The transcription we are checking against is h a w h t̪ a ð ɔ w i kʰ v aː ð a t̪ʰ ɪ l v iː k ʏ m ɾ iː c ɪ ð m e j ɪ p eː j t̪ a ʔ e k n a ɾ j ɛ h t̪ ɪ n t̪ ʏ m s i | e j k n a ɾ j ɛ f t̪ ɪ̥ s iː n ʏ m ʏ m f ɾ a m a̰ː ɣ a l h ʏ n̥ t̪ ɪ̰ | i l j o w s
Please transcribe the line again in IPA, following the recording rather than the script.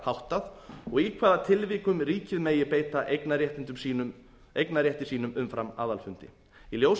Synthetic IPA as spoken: h a w h t̪ a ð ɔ ɣ i kʰ v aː ð a t̪ʰ ɪ l v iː k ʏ m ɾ iː c ɪ ð m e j ɪ p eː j t̪ a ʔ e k n a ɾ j ɛ h t̪ ɪ n t̪ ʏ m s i | e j k n a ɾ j ɛ h t̪ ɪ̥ s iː n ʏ m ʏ m f ɾ a m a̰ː ð a l f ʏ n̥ t̪ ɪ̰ | i l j o w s